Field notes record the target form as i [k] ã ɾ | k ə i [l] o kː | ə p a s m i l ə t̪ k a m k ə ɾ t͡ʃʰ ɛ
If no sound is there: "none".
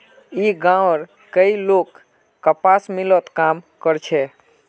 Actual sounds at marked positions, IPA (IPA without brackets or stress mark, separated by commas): ɡ, l